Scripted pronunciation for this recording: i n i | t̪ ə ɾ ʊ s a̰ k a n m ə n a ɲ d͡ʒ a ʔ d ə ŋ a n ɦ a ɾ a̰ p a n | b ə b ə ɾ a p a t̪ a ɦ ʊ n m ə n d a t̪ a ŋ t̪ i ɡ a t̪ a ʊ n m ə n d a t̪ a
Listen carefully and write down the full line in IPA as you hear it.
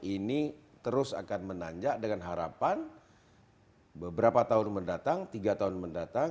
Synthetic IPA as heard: i n i | t̪ ə ɾ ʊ s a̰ k a n m ə n a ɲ d͡ʒ a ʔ d ə ŋ a n ɦ a ɾ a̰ p a n | b ə b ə ɾ a p a t̪ a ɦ ʊ n m ə n d a t̪ a ŋ t̪ i ɡ a t̪ a ʊ n m ə n d a t̪ a